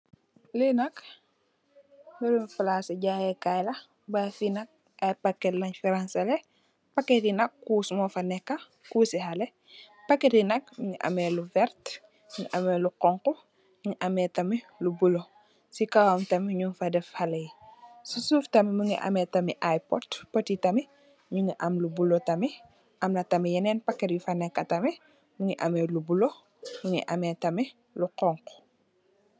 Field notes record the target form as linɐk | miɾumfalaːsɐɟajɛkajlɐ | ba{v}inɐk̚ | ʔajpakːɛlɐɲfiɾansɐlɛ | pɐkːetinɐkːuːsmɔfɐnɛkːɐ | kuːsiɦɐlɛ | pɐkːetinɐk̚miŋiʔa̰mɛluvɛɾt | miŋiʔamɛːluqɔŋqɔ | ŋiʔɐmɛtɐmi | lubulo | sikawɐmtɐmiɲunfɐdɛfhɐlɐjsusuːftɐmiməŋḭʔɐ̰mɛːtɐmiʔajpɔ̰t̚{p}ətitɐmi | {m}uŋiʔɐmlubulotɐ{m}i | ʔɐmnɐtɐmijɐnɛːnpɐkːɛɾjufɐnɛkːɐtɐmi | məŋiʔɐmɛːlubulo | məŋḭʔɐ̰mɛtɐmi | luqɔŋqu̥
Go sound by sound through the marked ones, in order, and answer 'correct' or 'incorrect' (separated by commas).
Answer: incorrect, correct, incorrect, correct